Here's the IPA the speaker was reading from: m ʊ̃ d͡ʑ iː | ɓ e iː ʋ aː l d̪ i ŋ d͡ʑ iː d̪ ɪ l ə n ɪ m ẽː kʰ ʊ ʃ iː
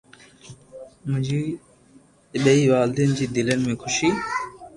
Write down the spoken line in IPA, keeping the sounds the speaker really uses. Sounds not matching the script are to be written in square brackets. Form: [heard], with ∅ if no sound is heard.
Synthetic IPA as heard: m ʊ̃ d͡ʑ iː | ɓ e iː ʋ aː l d̪ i [n] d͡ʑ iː d̪ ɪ l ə n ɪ m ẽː kʰ ʊ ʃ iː